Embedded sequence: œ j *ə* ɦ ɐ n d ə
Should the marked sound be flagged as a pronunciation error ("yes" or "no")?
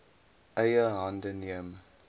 no